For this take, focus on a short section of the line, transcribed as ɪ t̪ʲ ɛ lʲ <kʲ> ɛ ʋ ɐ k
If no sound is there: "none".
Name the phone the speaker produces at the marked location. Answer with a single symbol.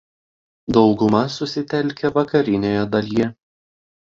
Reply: kʲ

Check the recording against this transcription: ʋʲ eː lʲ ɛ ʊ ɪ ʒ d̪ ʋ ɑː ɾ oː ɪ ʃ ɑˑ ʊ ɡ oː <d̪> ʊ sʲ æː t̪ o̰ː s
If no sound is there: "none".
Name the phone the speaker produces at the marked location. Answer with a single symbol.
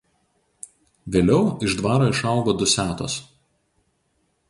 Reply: d̪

